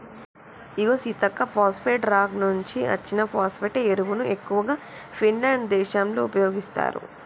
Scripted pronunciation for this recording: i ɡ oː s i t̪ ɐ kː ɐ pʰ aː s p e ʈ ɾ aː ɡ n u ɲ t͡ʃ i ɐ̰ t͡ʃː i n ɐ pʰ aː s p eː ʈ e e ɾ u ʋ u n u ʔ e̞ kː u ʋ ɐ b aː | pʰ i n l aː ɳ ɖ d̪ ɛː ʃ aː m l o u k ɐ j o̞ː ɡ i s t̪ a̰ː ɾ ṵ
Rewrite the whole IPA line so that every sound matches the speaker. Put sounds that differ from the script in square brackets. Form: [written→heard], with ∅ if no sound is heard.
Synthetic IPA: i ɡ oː s i t̪ ɐ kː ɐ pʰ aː s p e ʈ ɾ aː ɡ n u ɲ t͡ʃ i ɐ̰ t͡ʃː i n ɐ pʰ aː s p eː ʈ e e ɾ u ʋ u n u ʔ e̞ kː u ʋ ɐ [b→ɡ] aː | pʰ i n l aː ɳ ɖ d̪ ɛː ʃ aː m l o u [k→p] ɐ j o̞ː ɡ i s t̪ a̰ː ɾ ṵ